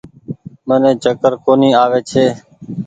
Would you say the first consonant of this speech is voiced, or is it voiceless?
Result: voiced